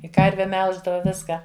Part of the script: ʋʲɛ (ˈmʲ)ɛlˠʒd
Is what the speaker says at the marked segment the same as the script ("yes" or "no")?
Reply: yes